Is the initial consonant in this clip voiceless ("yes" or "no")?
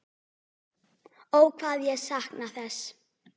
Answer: no